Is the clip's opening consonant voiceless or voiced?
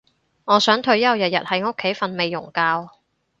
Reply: voiced